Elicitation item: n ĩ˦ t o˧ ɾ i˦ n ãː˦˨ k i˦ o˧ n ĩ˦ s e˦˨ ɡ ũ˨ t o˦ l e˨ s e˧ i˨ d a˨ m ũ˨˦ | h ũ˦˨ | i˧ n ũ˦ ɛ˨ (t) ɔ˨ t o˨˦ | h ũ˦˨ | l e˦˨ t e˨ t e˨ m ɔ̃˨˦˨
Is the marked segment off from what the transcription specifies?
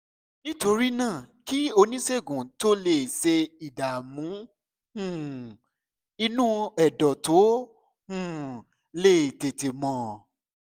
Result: yes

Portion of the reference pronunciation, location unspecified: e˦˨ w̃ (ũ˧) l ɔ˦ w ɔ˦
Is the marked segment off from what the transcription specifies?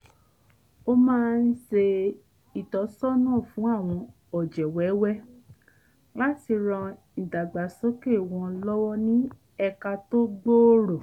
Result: yes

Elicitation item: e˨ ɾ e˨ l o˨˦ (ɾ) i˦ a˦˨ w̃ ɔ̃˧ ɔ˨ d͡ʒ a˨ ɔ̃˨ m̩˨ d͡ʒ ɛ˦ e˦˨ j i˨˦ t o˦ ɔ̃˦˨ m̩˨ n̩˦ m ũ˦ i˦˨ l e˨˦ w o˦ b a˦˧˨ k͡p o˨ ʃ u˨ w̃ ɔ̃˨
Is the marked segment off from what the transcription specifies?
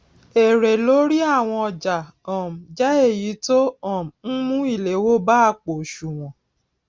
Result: no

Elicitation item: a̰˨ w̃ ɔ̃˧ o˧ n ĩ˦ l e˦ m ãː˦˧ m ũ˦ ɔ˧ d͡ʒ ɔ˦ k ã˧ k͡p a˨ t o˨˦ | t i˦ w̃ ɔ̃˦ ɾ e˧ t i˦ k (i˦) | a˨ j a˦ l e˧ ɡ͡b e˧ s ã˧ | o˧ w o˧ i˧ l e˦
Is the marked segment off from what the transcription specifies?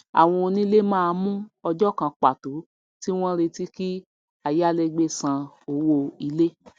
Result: no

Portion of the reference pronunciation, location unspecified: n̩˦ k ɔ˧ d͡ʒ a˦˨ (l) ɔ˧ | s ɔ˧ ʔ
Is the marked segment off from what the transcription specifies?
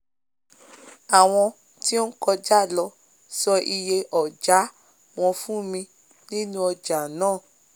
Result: no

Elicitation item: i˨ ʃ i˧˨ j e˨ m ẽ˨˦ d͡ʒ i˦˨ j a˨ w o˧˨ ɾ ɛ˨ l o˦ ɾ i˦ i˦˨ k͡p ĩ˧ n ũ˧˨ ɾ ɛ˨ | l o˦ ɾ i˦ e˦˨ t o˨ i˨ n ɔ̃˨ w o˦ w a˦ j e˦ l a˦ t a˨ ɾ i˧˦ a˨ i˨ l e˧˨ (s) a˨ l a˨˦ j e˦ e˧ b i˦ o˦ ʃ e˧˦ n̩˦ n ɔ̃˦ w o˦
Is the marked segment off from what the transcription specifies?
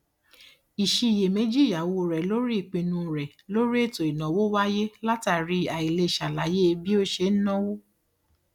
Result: yes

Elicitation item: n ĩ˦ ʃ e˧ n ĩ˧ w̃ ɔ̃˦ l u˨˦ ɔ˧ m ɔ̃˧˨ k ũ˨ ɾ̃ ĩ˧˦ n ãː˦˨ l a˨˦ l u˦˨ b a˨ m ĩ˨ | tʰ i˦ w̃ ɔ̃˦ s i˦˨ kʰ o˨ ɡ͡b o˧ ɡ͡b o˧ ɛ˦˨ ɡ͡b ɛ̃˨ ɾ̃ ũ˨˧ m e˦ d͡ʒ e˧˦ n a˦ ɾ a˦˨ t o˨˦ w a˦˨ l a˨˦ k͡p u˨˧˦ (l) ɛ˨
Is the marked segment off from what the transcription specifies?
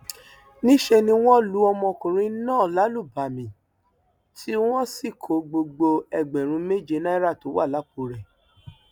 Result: yes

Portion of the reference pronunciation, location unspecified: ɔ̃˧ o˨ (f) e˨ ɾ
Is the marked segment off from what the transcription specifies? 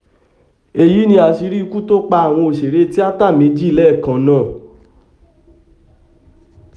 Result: yes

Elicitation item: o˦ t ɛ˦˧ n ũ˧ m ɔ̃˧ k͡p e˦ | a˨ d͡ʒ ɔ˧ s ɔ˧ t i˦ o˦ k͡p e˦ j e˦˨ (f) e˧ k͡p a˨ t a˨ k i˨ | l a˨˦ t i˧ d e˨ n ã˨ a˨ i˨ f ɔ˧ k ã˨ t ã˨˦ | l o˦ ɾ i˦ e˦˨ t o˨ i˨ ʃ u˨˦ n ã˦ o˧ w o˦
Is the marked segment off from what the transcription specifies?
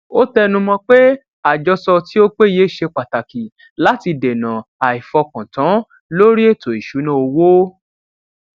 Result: yes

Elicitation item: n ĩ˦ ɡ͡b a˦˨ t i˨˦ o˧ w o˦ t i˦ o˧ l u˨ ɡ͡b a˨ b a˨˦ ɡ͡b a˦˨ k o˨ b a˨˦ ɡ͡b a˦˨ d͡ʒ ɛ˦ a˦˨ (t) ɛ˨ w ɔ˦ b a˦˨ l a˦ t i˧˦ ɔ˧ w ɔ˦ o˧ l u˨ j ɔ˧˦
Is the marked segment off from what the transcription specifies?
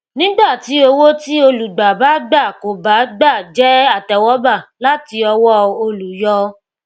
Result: no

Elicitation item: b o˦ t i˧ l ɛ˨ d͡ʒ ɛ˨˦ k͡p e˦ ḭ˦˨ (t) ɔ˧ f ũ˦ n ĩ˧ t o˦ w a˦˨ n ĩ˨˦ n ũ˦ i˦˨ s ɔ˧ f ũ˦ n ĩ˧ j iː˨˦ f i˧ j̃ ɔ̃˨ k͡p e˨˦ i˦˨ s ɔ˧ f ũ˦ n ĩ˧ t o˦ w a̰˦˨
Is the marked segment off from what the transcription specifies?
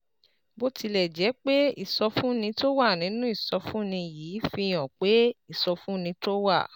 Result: yes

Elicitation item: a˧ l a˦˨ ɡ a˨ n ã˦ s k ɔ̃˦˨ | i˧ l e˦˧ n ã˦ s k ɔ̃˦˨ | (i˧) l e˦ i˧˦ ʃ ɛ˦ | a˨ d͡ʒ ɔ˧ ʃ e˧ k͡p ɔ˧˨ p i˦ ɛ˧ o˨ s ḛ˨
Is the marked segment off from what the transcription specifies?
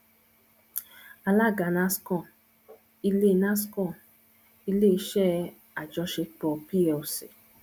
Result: no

